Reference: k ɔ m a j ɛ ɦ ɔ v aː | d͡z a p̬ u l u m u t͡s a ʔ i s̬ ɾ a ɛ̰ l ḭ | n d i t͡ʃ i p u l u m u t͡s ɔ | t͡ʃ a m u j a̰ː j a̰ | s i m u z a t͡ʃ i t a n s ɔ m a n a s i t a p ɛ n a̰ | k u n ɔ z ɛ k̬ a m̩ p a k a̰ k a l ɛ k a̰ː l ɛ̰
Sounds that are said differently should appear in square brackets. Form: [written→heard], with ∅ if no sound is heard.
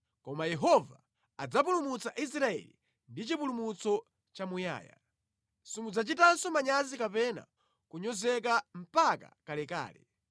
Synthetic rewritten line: k ɔ m a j ɛ ɦ ɔ v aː | d͡z a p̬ u l u m u t͡s a ʔ i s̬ ɾ a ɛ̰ l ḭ | n d i t͡ʃ i p u l u m u t͡s ɔ | t͡ʃ a m u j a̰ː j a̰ | s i m u [z→d͡z] a t͡ʃ i t a n s ɔ m a [n→ɲ] a [s→z] i [t→k] a p ɛ n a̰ | k u [n→ɲ] ɔ z ɛ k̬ a m̩ p a k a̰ k a l ɛ k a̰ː l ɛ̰